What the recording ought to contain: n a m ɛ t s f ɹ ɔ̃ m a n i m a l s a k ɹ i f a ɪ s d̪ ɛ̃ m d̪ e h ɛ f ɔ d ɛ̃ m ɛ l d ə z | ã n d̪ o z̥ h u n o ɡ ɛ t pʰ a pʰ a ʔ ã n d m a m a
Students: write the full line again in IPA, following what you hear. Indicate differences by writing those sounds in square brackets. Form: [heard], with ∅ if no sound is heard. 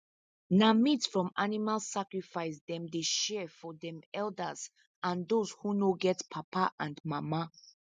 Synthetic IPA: n a m [i] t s f ɹ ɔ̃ m a n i m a l s a k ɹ i f a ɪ s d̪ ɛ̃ m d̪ e [ʃ] ɛ f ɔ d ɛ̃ m ɛ l d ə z | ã n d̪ o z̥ h u n o ɡ ɛ t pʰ a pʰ a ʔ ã n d m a m a